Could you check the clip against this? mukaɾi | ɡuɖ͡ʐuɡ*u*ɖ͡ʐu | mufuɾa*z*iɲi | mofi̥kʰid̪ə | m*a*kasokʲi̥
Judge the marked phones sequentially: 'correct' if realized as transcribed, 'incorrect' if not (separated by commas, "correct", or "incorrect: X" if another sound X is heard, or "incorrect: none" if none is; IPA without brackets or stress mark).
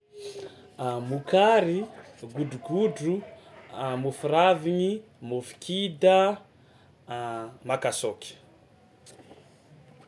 correct, incorrect: v, correct